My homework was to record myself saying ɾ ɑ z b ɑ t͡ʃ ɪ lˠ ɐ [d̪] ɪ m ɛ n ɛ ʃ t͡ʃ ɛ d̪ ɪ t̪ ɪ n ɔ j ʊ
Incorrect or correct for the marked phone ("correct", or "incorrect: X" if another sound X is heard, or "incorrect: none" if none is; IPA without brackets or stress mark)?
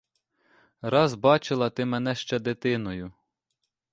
incorrect: t̪